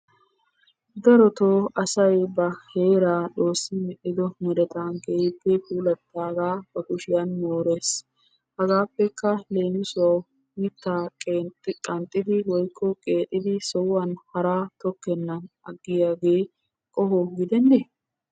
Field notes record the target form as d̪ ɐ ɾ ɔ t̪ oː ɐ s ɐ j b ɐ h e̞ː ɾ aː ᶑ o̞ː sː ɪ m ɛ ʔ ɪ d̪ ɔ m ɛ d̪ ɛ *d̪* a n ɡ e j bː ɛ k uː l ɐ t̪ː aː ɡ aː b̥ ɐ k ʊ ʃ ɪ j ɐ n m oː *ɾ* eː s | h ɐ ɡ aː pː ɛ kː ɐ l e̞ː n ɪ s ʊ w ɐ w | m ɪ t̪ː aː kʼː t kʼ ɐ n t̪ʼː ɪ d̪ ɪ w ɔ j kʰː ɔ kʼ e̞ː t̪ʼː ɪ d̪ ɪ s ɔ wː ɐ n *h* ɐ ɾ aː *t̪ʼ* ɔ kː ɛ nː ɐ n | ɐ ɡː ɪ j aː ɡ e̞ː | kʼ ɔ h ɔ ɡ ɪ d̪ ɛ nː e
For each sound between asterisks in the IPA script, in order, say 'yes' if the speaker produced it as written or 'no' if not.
no, yes, yes, no

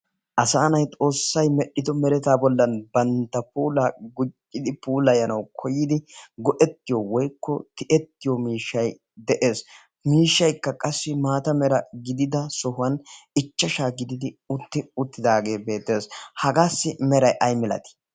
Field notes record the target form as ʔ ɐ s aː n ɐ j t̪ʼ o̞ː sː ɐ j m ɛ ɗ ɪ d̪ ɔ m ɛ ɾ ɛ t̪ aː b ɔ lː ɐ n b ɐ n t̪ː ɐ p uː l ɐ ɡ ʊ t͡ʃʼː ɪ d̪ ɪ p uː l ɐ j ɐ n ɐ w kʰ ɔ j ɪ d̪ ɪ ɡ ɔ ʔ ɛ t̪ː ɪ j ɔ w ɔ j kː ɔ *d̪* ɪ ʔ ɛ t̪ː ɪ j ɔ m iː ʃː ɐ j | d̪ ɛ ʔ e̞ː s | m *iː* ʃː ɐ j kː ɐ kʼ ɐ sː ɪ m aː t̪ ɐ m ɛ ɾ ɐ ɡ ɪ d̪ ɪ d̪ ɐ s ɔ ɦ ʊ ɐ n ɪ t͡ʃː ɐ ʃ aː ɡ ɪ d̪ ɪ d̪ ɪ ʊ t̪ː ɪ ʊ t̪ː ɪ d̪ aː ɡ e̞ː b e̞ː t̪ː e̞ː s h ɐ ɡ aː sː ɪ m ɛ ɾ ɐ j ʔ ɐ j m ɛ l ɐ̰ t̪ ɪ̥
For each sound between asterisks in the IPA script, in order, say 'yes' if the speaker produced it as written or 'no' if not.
no, yes

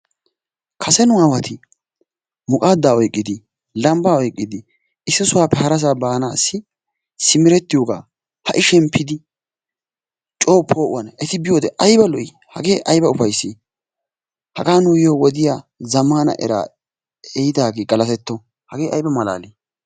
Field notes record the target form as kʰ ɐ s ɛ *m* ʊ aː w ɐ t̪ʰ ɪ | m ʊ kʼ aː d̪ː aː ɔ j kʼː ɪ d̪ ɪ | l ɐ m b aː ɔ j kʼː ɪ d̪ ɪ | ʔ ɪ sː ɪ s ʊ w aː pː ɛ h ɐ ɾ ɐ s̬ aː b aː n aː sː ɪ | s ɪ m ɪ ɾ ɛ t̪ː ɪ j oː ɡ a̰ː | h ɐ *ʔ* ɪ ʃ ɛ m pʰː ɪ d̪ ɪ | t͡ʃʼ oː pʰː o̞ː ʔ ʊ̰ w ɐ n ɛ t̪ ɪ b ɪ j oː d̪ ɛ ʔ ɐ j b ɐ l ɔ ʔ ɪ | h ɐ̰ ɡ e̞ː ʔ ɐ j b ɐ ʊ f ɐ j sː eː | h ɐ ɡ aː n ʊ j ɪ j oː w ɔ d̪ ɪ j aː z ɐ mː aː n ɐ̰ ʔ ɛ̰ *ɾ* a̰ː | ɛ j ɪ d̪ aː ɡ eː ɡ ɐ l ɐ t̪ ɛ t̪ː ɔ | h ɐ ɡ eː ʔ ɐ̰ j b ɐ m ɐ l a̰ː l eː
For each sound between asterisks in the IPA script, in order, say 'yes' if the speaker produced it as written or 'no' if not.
no, yes, yes

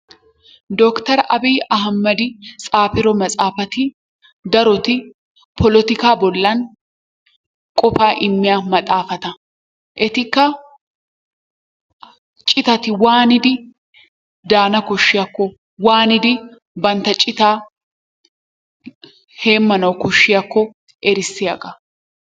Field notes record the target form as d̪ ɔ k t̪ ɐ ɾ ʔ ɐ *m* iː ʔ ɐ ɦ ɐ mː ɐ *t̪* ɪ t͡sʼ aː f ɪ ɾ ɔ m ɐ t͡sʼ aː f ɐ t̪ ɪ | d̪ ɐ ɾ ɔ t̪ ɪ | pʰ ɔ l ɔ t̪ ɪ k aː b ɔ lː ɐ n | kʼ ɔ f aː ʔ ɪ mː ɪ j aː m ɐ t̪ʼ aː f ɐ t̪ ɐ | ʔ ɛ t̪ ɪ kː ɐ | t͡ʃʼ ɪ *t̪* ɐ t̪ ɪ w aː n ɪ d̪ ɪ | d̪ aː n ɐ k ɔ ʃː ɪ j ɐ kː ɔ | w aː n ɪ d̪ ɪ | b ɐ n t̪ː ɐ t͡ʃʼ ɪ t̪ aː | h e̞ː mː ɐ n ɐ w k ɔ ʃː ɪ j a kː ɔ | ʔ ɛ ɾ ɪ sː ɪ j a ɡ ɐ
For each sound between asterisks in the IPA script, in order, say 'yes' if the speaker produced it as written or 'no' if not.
no, no, yes

